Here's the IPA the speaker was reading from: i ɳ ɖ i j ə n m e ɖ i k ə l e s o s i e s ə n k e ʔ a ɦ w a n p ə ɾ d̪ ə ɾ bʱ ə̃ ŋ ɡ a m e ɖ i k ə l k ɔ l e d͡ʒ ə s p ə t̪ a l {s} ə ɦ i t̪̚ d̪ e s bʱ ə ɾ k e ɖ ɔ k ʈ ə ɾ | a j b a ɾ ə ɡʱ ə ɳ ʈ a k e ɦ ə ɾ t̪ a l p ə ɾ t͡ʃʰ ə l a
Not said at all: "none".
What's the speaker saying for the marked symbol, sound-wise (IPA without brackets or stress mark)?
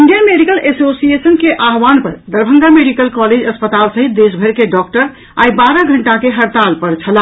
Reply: s